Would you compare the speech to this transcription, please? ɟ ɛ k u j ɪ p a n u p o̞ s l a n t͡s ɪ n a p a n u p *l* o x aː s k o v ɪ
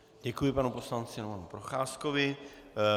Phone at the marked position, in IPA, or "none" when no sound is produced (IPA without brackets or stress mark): ɾ